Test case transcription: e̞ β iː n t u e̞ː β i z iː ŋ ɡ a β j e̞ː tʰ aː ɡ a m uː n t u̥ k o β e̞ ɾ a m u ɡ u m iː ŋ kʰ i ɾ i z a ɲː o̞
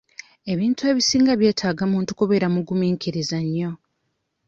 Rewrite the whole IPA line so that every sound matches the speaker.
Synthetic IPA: e̞ β iː n t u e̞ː β i s iː ŋ ɡ a β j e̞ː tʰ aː ɡ a m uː n t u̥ k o β e̞ ɾ a m u ɡ u m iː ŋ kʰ i ɾ i z a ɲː o̞